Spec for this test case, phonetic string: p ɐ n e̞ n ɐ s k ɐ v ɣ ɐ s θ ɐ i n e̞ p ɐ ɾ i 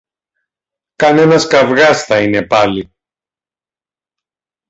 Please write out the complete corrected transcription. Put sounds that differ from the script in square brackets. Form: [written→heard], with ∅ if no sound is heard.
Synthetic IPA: [p→k] ɐ n e̞ n ɐ s k ɐ v ɣ ɐ s θ ɐ i n e̞ p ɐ [ɾ→l] i